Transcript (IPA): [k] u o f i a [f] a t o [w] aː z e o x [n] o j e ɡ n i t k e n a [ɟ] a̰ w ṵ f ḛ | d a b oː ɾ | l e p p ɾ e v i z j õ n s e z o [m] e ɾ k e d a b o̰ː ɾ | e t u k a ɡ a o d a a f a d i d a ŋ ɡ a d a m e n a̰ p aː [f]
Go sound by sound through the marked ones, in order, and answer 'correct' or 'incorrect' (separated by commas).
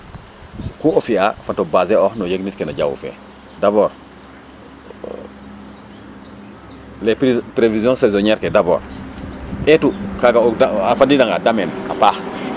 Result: correct, correct, incorrect, correct, correct, incorrect, incorrect